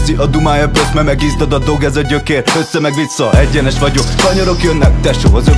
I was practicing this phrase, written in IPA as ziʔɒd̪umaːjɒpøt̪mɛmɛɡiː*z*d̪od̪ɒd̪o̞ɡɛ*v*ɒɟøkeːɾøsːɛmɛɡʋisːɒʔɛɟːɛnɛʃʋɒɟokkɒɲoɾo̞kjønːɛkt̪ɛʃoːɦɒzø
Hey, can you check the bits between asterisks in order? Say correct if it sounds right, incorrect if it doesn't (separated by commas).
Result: correct, incorrect